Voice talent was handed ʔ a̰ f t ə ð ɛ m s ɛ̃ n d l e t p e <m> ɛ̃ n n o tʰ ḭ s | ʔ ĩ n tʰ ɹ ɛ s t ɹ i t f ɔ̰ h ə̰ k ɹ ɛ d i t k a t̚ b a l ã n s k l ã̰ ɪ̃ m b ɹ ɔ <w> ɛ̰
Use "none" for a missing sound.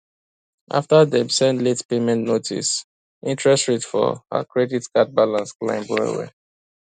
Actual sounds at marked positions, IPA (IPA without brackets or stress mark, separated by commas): m, w